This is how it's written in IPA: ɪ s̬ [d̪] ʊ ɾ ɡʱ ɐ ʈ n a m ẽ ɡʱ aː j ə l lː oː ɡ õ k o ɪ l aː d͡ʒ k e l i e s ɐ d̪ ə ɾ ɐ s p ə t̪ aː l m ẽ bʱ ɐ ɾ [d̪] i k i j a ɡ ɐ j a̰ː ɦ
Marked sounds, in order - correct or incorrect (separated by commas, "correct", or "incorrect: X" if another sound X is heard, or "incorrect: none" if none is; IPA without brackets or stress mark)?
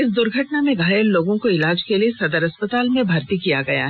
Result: correct, incorrect: t̪